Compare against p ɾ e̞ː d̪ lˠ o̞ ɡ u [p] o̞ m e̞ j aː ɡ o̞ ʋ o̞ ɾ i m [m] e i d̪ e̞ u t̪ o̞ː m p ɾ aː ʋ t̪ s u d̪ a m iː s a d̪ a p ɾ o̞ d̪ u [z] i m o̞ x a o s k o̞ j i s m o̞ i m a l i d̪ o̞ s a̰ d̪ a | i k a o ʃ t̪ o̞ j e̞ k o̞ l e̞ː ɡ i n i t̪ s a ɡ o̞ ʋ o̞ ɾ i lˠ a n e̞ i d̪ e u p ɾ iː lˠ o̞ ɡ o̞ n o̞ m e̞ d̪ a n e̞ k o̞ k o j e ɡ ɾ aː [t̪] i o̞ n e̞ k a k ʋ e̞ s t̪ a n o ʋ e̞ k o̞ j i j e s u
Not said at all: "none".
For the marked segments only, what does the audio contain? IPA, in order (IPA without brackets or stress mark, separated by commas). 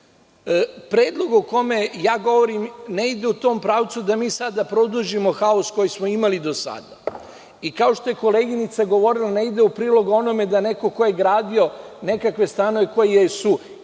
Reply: k, n, ʒ, d̪